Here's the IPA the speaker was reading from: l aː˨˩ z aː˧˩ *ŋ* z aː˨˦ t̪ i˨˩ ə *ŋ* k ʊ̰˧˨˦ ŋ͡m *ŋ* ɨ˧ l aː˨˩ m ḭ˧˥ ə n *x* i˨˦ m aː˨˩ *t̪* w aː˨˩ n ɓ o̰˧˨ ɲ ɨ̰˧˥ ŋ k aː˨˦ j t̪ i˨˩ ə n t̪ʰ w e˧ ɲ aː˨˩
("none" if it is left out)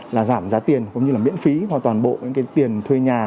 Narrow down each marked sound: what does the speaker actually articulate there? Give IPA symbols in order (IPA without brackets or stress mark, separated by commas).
m, n, ɲ, f, t̪